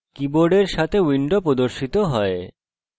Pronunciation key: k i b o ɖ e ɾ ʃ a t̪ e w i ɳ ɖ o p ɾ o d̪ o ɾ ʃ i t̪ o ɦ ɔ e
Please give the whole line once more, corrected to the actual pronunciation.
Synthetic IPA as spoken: k i b o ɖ e ɾ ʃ a t̪ʰ e w i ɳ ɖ o p ɾ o d̪ o ɾ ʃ i t̪ o ɦ ɔ e